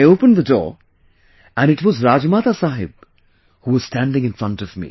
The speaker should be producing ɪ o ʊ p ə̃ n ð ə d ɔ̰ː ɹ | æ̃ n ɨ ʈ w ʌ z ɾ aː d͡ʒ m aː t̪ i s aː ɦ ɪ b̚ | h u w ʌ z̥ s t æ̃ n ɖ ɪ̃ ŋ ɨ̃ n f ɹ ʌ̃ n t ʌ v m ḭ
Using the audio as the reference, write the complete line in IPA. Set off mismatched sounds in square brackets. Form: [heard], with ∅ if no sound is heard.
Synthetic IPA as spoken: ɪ o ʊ p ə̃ n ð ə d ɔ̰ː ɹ | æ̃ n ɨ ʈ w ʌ z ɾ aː d͡ʒ m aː t̪ [a] s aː ɦ ɪ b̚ | h u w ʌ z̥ s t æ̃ n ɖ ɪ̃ ŋ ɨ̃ n f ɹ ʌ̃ n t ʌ v m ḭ